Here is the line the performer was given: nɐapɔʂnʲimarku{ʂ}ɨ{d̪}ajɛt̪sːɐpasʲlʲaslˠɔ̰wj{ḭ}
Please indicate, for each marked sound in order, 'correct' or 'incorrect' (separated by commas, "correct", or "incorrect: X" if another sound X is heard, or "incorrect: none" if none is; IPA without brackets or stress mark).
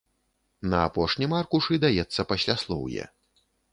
correct, correct, incorrect: ɛ̰